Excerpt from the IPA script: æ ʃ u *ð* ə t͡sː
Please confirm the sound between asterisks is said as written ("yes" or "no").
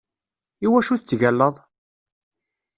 no